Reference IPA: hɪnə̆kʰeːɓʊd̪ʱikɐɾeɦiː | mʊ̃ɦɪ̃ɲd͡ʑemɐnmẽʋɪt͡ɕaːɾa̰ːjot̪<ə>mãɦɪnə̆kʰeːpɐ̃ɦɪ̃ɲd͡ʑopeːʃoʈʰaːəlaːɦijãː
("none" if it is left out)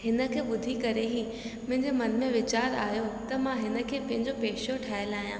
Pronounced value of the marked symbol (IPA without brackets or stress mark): ɐ